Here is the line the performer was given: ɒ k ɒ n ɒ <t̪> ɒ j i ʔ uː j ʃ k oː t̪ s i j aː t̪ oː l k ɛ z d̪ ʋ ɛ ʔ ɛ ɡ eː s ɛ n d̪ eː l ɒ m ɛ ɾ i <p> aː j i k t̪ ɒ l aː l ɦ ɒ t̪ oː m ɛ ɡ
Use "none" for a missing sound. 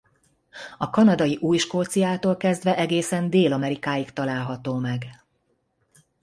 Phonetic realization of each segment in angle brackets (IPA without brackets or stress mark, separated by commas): d̪, k